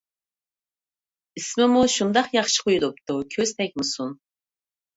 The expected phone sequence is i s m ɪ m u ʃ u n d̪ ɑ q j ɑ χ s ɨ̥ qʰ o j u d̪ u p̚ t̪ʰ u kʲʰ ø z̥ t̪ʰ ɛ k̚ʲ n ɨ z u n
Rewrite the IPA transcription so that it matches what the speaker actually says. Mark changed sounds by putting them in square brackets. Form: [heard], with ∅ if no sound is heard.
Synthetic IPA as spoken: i s m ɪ m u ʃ u n d̪ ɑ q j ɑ χ [ʃ] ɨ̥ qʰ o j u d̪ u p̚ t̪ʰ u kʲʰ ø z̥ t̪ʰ ɛ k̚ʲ [m] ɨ [s] u n